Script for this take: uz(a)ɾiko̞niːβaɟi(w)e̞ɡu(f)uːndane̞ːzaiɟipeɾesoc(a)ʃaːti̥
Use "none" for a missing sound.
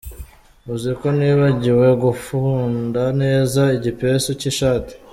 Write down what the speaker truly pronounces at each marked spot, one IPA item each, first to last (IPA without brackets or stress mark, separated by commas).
i, w, f, i